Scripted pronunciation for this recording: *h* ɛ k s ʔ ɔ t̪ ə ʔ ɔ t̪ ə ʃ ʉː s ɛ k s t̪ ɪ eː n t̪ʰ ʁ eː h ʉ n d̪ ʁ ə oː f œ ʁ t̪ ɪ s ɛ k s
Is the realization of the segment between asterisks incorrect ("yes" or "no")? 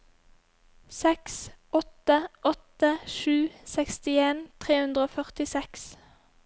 yes